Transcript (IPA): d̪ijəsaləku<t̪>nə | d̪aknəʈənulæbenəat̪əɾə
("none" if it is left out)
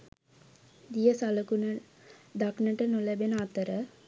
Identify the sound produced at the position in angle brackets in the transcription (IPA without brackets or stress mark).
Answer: none